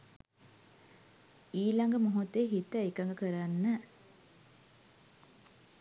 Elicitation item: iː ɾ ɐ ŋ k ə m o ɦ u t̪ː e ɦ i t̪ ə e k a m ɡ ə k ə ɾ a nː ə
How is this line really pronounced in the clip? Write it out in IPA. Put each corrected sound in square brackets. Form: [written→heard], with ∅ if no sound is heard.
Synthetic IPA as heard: iː [ɾ→l] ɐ ŋ [k→ɡ] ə m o ɦ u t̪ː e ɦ i t̪ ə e k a [m→ŋ] ɡ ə k ə ɾ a nː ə